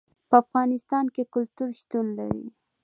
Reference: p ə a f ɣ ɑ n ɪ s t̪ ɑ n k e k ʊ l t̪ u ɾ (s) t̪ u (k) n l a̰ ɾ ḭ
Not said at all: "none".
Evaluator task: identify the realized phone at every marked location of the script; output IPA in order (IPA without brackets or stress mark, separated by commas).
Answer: ʃ, none